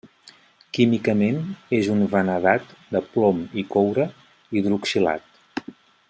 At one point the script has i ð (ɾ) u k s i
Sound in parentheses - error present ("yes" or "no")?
no